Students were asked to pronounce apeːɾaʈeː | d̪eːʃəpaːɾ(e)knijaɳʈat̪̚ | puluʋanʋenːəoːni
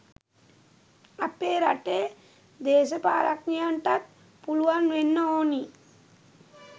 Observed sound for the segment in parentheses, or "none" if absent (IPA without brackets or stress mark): a